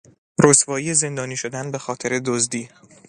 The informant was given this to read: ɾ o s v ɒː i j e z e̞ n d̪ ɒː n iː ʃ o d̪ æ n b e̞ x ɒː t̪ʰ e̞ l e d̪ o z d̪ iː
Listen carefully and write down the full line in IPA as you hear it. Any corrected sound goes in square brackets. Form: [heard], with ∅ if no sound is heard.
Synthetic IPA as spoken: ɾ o s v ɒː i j e z e̞ n d̪ ɒː n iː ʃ o d̪ æ n b e̞ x ɒː t̪ʰ e̞ [ɾ] e d̪ o z d̪ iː